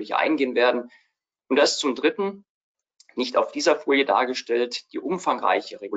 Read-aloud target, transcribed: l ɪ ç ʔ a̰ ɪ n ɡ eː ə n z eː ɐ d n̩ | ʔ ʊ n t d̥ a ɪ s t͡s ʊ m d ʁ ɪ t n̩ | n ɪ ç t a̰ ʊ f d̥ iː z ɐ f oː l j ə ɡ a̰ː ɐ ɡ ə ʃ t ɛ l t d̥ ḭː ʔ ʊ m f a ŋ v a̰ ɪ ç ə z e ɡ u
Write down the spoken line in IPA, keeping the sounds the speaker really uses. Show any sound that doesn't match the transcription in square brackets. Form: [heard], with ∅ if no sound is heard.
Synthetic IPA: l ɪ ç ʔ a̰ ɪ n ɡ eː ə n [v] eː ɐ d n̩ | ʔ ʊ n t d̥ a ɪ s t͡s ʊ m d ʁ ɪ t n̩ | n ɪ ç t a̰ ʊ f d̥ iː z ɐ f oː l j ə [d] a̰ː ɐ ɡ ə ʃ t ɛ l t d̥ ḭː ʔ ʊ m f a ŋ [ʁ] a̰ ɪ ç ə [ʁ] e ɡ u